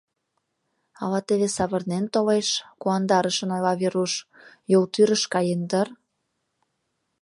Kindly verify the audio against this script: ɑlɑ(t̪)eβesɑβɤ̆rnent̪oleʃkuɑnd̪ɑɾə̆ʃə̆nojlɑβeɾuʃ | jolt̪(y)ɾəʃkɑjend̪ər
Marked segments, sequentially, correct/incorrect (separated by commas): correct, correct